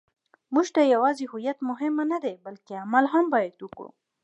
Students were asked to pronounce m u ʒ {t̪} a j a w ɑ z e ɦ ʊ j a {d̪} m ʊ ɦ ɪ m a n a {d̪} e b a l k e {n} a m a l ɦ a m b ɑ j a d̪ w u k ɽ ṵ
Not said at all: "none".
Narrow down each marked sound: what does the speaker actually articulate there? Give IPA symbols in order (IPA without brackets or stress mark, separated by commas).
t̪, t̪, d̪, none